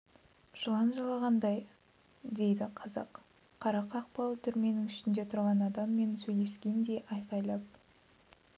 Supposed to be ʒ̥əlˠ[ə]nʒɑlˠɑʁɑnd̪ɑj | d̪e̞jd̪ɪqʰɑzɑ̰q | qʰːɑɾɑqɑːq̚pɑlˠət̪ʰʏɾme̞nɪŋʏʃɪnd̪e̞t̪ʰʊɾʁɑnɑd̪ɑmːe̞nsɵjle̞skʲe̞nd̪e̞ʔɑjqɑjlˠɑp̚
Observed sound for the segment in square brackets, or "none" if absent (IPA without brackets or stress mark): ɑ